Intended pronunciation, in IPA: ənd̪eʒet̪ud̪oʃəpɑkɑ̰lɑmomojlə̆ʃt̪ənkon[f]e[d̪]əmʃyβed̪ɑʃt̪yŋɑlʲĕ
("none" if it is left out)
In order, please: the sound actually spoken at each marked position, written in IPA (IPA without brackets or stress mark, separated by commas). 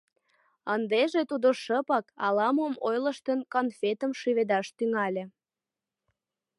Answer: f, t̪